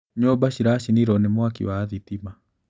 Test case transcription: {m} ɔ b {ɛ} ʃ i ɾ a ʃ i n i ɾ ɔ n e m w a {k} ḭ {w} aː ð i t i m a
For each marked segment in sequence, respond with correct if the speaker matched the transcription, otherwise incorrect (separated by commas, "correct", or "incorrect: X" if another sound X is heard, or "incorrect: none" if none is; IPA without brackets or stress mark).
incorrect: ɲ, incorrect: a, correct, correct